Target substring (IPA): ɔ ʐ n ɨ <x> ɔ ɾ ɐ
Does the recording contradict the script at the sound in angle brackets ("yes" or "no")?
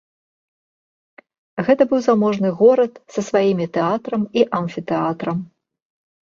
yes